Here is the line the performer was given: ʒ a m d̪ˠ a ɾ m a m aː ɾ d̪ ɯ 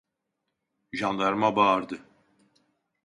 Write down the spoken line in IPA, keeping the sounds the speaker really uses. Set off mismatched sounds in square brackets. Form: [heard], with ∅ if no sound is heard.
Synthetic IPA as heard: ʒ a [n] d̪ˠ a ɾ m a [b] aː ɾ d̪ ɯ